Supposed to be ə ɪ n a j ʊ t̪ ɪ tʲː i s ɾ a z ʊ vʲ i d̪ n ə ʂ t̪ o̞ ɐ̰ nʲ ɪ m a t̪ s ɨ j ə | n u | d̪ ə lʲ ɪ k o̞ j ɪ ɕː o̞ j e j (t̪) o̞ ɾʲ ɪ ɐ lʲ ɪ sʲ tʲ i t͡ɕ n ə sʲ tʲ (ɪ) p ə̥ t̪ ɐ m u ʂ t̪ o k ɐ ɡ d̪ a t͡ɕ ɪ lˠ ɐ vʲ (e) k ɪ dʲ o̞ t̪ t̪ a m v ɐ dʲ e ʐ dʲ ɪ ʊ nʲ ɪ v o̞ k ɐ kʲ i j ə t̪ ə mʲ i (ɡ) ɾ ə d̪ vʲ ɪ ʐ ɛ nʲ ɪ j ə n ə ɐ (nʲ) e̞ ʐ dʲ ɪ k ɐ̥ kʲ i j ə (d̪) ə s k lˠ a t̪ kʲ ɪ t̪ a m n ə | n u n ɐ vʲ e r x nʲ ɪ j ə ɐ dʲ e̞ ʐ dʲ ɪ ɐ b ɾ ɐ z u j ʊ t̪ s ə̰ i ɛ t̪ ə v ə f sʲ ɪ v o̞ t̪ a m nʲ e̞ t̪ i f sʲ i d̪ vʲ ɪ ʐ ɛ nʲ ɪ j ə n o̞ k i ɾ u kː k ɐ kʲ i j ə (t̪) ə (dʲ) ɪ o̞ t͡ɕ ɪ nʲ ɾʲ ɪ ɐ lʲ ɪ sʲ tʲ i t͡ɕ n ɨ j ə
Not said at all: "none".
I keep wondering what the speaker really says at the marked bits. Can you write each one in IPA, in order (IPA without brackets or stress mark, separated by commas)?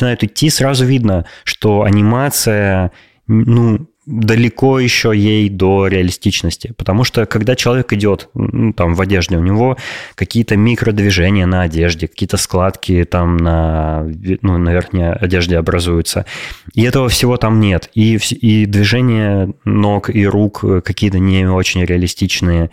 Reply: d̪, ɪ, e, k, dʲ, t̪, t̪, nʲ